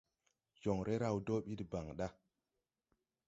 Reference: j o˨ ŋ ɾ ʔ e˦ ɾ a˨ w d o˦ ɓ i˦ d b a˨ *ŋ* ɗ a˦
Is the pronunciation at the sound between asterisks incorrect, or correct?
correct